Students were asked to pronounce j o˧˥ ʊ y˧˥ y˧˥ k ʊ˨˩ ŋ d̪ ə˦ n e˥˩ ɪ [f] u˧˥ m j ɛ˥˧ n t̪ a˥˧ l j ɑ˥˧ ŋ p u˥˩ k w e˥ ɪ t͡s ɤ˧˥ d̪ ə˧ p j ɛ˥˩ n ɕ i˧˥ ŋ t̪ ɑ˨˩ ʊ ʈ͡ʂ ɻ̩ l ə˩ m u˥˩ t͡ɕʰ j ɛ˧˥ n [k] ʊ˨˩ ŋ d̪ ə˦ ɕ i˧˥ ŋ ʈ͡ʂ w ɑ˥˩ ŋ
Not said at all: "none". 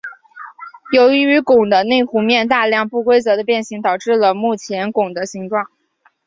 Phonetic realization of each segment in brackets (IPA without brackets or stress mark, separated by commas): x, k